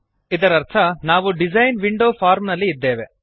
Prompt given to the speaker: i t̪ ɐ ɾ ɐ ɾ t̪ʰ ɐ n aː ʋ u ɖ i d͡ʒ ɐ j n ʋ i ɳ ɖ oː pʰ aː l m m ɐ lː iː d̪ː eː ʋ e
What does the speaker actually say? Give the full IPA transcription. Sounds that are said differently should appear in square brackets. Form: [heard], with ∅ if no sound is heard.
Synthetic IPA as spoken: i [d̪] ɐ ɾ ɐ ɾ t̪ʰ ɐ n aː ʋ u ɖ i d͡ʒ ɐ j n ʋ i ɳ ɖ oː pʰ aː [ɾ] m [n] ɐ lː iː d̪ː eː ʋ e